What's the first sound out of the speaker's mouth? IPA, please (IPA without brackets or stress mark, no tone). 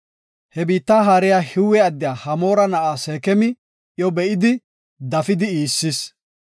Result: h